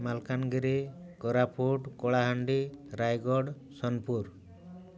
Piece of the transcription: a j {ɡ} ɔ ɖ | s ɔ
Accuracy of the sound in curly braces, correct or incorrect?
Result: correct